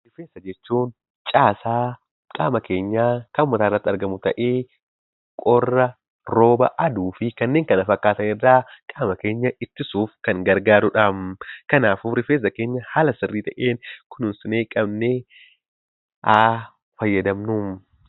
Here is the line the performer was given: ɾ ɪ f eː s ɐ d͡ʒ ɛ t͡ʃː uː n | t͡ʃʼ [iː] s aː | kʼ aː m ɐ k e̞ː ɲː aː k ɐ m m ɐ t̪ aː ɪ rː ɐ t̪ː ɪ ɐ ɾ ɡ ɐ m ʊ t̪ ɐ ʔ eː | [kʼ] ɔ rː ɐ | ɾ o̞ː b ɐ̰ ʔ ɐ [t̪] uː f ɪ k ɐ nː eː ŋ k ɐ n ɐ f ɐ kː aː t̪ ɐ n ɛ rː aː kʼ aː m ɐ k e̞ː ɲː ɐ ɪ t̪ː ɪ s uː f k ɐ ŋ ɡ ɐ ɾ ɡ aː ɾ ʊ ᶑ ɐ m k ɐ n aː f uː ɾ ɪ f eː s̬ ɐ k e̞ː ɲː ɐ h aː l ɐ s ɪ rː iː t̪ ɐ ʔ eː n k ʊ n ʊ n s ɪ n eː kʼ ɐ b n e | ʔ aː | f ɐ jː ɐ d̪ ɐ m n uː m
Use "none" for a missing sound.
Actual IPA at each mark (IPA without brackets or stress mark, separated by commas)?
aː, kʼ, d̪